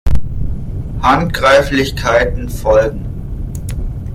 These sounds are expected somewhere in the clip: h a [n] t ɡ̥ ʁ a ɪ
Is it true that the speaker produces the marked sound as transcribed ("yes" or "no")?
yes